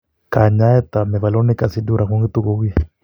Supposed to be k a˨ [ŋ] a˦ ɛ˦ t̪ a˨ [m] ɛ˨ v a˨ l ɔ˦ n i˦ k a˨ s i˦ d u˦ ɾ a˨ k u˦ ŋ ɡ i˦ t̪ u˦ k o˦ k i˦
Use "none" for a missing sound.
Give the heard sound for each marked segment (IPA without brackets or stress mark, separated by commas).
ɲ, m